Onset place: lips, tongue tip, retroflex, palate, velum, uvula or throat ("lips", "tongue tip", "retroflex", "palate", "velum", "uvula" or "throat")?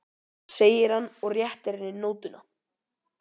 tongue tip